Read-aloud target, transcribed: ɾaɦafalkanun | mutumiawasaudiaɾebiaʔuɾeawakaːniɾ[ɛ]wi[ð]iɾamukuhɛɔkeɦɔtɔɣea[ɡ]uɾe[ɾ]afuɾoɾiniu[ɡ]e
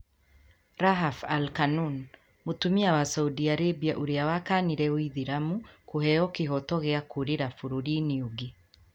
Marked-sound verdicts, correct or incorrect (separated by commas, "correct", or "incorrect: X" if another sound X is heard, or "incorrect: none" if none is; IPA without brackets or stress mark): correct, correct, incorrect: k, correct, correct